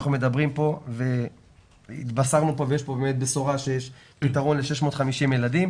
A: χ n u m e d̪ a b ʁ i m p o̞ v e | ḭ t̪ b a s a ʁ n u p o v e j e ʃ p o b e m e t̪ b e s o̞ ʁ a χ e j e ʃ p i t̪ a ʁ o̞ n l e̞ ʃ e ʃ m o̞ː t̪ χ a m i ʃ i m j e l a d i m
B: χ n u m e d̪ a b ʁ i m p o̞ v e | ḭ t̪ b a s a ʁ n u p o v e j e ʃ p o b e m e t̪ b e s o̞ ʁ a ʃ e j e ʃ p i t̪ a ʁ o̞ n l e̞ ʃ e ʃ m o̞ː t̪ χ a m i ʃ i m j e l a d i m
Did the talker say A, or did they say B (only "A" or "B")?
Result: B